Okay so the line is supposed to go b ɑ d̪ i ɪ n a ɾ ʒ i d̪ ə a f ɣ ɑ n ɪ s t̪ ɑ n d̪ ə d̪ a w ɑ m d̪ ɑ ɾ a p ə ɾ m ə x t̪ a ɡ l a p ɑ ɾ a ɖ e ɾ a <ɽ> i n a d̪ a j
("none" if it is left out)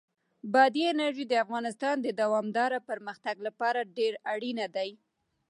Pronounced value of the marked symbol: ɽ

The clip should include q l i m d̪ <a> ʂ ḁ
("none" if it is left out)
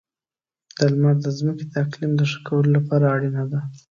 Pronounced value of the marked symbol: ə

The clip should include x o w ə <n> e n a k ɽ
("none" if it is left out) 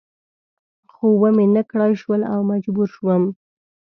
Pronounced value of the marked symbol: m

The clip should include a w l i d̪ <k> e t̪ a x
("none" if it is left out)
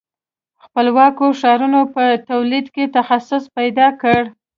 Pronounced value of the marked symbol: k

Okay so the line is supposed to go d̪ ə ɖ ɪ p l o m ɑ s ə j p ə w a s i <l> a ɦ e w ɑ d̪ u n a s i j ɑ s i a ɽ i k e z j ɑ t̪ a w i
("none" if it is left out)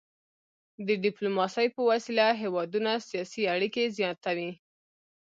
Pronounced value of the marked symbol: l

